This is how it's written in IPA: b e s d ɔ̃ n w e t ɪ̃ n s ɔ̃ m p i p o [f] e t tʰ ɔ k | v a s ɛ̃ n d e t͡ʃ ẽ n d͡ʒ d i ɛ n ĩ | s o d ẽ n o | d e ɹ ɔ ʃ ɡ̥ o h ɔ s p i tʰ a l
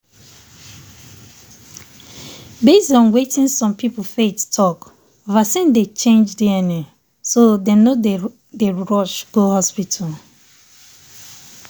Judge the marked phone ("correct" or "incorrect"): correct